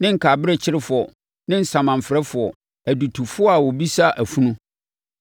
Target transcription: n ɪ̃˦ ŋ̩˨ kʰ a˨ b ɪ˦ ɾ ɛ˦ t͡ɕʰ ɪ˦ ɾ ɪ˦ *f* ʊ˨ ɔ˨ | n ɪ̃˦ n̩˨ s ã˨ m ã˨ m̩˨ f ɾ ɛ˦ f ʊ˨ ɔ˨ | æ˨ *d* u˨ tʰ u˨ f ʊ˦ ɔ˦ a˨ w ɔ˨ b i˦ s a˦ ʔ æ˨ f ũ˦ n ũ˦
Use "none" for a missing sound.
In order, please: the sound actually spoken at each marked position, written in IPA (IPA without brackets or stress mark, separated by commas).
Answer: f, d